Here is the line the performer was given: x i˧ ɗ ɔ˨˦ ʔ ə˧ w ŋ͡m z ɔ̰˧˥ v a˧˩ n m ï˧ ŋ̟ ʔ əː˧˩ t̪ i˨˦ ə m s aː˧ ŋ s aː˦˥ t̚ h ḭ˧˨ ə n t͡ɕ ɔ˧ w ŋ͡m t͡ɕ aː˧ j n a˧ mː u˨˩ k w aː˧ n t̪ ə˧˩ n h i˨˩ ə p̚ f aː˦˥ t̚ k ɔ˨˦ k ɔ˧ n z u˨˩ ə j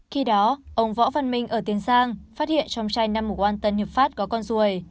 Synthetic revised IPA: x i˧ ɗ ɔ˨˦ ʔ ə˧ w ŋ͡m v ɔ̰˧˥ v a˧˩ n m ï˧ ŋ̟ ʔ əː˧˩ t̪ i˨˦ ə n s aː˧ ŋ f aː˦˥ t̚ h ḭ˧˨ ə n t͡ɕ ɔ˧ w ŋ͡m t͡ɕ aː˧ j n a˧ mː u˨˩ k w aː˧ n t̪ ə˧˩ n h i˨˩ ə p̚ f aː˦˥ t̚ k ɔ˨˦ k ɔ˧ n z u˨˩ ə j